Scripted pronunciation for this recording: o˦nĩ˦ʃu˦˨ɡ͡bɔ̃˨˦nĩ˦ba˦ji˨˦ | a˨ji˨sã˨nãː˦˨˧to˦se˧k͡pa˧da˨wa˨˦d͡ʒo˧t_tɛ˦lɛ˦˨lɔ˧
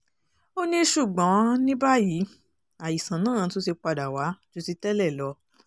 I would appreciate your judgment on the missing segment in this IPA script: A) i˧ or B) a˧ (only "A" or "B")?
A